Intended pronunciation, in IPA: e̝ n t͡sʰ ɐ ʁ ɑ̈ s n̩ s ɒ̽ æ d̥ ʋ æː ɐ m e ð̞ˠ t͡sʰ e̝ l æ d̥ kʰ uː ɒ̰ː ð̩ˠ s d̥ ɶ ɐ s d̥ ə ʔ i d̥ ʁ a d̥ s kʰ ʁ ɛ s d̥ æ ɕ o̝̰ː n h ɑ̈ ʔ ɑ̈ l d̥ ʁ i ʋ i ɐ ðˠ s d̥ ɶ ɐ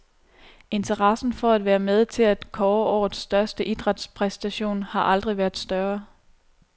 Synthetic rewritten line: e̝ n t͡sʰ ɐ ʁ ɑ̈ s n̩ f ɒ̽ æ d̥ ʋ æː ɐ m e ð̞ˠ t͡sʰ e̝ l æ d̥ kʰ ɒː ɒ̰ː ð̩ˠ s d̥ ɶ ɐ s d̥ ə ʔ i d̥ ʁ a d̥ s pʰ ʁ ɛ s d̥ æ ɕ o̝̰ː n h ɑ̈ ʔ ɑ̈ l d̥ ʁ i ʋ æ ɐ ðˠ s d̥ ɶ ɐ